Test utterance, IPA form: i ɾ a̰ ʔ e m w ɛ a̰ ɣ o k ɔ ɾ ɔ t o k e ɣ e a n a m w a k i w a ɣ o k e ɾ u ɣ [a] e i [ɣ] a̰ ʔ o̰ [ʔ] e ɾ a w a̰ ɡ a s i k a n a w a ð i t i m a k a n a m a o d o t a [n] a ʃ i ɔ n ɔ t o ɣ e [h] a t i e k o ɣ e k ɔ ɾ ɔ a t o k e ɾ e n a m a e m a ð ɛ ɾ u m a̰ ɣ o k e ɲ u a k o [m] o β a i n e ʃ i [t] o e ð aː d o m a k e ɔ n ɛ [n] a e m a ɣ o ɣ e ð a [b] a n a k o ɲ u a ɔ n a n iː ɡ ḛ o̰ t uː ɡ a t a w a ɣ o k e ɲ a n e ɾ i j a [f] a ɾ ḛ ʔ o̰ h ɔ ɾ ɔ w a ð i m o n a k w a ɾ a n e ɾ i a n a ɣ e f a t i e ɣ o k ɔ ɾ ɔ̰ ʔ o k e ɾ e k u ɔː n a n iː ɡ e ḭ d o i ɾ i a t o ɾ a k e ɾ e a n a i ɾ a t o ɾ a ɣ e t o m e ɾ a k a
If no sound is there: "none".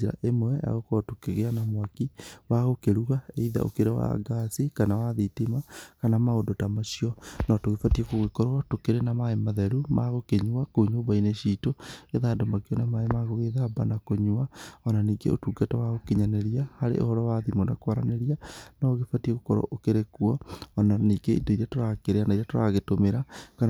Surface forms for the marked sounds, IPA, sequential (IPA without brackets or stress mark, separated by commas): a, ð, k, m, f, ɲ, t, m, b, h